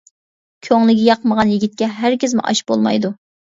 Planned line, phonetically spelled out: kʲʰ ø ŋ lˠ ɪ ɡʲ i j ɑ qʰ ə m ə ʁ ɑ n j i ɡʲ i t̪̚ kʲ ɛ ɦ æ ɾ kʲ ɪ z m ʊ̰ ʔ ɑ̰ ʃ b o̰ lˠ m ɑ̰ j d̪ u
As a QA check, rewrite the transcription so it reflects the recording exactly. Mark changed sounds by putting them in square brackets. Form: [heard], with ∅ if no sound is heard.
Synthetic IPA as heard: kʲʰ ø ŋ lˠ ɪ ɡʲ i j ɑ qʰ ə m ə ʁ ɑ n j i ɡʲ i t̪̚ kʲ ɛ ɦ æ ɾ kʲ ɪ z m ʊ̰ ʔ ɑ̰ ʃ b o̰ lˠ m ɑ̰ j d̪ u